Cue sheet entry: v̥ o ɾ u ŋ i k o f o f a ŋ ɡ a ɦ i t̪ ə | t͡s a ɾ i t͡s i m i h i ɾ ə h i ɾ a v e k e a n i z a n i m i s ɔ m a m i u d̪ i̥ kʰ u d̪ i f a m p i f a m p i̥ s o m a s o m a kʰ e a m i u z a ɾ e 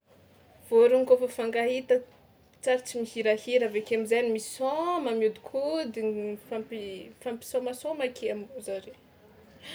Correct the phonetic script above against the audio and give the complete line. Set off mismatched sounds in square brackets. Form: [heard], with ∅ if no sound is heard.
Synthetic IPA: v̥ o ɾ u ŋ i k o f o f a ŋ ɡ a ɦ i t̪ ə | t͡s a ɾ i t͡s i m i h i ɾ [a] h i ɾ a v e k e a [m] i z a n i m i s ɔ m a m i u d̪ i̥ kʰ u d̪ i f a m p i f a m p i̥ s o m a s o m a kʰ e a m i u z a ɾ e